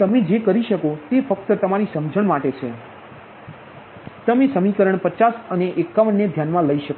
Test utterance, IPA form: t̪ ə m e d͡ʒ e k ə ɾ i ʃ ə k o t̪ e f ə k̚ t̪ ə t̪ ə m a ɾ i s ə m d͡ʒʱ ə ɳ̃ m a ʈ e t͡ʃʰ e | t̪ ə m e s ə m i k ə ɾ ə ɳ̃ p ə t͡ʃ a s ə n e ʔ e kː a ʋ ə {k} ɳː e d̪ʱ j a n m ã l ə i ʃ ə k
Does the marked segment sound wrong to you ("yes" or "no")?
yes